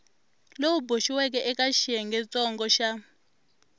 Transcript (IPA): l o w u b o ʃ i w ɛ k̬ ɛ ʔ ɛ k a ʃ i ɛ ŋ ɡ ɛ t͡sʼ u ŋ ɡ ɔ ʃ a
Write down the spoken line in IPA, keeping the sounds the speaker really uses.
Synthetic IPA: l o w u b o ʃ i w ɛ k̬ ɛ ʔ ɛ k a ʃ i ɛ ŋ ɡ ɛ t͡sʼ ɔ ŋ ɡ ɔ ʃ a